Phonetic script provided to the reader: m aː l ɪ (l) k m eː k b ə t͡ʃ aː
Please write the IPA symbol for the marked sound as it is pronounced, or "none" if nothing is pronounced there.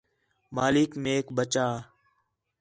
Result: none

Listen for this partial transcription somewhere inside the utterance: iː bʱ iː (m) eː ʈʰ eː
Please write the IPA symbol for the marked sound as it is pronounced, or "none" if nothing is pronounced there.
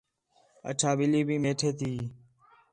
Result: m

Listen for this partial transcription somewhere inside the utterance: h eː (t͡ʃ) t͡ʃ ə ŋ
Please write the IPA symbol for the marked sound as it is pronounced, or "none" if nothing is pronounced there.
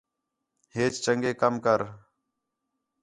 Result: t͡ʃ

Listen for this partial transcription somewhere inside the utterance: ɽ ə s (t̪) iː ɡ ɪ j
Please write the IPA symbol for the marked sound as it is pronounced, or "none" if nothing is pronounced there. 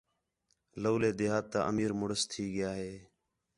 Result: t̪ʰ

